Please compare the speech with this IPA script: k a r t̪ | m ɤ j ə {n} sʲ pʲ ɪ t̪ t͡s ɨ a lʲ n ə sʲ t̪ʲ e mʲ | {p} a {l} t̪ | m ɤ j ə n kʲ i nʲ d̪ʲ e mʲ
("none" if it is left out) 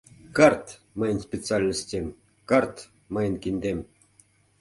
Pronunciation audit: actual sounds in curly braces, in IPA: n, k, r

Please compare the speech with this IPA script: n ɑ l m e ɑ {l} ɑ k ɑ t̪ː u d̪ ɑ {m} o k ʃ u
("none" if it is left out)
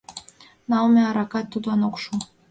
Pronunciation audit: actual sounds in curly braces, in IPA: ɾ, n

